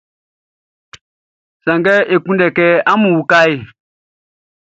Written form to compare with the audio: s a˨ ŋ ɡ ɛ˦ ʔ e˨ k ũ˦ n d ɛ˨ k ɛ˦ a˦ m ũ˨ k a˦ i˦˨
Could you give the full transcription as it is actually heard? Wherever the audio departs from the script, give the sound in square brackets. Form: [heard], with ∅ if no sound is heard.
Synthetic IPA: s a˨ ŋ ɡ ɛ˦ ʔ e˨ k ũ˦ n d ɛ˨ k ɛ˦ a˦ m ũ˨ k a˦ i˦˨